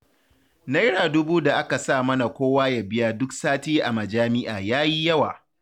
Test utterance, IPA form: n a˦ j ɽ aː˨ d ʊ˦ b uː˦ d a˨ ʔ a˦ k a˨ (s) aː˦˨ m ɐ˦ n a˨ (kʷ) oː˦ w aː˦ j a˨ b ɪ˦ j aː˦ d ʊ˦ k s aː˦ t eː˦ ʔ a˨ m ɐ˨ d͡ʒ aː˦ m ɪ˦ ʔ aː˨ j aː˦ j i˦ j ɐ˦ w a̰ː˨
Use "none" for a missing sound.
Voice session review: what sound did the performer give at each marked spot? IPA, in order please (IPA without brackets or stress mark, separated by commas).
s, kʷ